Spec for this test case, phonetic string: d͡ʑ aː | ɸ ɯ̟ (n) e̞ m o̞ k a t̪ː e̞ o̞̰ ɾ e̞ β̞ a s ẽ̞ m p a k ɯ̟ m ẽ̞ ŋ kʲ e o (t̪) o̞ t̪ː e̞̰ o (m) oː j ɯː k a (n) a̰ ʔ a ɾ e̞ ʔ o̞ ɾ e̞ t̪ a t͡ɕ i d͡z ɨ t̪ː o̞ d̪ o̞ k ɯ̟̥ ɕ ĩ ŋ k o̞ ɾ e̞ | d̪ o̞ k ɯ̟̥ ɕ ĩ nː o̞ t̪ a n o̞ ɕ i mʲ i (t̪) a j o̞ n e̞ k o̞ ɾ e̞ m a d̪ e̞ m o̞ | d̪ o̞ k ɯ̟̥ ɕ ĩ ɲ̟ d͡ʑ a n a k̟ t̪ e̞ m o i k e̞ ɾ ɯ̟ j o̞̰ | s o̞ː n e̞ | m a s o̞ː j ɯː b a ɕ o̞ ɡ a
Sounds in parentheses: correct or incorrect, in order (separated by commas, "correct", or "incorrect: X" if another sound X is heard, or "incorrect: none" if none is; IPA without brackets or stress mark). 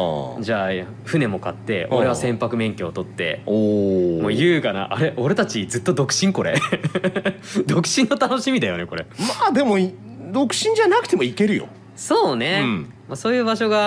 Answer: correct, correct, correct, correct, incorrect: d̪